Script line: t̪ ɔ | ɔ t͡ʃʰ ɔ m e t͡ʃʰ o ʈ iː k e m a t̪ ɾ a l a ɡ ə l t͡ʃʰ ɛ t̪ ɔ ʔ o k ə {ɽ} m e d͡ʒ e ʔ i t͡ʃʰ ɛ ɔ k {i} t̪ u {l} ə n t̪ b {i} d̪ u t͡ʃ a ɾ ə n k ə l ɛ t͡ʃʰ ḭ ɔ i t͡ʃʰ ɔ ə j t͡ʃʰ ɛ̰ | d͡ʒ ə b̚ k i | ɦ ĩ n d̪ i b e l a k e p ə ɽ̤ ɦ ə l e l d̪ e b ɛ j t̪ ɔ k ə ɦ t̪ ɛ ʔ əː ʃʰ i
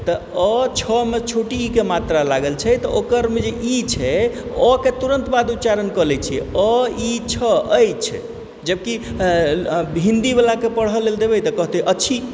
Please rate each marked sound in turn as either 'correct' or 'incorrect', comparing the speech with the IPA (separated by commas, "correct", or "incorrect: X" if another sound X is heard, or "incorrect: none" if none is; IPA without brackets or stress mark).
incorrect: ɾ, incorrect: e, incorrect: ɾ, incorrect: a